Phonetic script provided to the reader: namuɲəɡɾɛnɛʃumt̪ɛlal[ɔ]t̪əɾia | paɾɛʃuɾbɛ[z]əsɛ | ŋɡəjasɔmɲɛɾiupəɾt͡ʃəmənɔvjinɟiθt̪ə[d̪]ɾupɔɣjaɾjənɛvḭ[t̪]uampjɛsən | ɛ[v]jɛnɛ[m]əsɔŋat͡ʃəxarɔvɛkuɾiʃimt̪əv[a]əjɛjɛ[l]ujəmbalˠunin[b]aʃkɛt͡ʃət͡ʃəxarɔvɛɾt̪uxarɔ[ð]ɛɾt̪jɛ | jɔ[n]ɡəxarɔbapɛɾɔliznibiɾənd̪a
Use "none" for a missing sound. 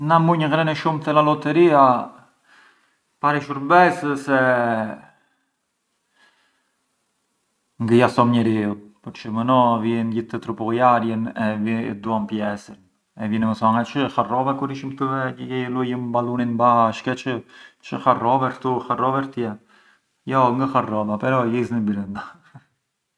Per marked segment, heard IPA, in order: ɔ, s, t̪, d̪, v, m, ɛ, l, b, v, ŋ

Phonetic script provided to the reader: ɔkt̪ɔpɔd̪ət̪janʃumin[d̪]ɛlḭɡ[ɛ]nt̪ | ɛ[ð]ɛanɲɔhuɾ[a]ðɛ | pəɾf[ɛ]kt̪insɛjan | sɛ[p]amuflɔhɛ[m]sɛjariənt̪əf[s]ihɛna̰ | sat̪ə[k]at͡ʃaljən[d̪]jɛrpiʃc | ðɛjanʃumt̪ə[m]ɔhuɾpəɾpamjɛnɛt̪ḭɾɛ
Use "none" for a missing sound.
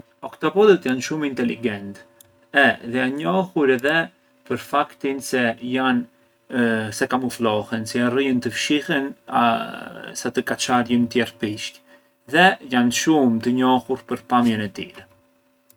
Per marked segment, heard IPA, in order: t̪, ɛ, ð, ɛ, a, k, n, ʃ, k, t̪, ɲ

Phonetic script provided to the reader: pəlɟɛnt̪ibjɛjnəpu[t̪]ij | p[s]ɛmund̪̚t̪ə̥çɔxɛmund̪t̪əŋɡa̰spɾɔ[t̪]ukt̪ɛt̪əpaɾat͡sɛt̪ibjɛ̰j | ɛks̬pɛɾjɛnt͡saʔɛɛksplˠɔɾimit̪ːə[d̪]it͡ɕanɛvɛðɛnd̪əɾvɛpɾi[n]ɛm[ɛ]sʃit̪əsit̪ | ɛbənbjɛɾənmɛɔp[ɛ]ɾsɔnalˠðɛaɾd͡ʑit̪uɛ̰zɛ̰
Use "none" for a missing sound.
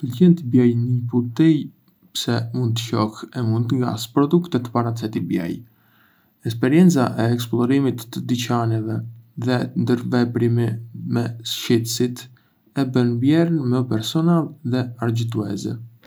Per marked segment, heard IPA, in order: t̪, s, d̪, d̪, m, ɛ, ɛ

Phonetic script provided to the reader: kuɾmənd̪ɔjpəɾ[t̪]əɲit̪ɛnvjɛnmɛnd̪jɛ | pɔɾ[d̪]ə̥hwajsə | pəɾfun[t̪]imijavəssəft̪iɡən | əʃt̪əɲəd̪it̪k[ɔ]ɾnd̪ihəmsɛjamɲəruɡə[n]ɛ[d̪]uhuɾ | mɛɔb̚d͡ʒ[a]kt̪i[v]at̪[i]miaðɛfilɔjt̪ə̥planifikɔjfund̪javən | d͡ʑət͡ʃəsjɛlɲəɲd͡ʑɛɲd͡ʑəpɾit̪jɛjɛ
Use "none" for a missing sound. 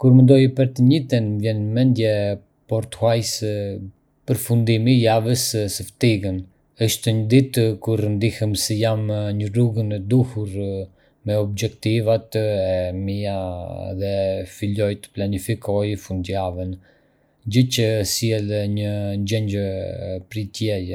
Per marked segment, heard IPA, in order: t̪, t̪, d̪, u, n, d̪, ɛ, v, ɛ

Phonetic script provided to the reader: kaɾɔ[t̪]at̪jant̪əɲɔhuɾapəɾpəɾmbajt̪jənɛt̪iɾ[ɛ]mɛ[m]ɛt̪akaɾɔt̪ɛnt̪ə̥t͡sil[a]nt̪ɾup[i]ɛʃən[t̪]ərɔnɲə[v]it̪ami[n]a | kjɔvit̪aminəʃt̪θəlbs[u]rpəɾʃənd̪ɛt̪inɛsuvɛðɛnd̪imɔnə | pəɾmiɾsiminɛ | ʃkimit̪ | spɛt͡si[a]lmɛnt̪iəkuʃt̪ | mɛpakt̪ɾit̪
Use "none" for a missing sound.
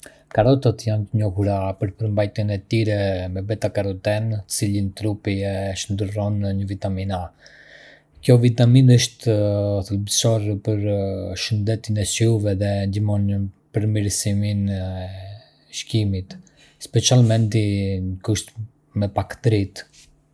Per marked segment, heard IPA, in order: t̪, ɛ, b, i, i, d̪, v, n, ɔ, a

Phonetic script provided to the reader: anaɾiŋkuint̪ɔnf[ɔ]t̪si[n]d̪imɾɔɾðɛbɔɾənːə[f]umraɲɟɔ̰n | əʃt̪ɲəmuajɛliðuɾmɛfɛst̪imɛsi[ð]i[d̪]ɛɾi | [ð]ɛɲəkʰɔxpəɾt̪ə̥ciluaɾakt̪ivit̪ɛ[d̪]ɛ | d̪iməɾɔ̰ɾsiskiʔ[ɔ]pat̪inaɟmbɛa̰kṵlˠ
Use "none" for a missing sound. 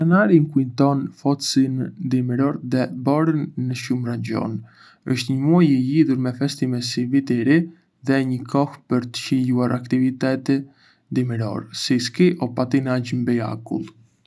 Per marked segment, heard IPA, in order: ɔ, n, ʃ, v, t̪, ð, t̪, ɔ

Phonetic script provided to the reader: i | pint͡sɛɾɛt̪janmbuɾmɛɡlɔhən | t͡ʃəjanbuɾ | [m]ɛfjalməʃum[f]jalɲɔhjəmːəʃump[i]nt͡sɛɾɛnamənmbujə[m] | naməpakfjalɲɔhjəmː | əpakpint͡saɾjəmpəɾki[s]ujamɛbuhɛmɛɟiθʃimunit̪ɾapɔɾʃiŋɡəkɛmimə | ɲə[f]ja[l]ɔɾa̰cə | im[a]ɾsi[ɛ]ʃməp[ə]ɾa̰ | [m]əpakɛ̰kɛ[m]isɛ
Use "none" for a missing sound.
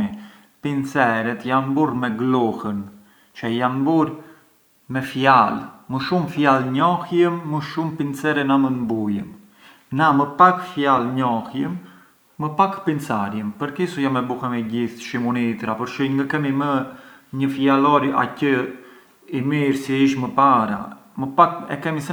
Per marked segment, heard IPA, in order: m, f, i, m, s, f, l, i, i, a, m, m

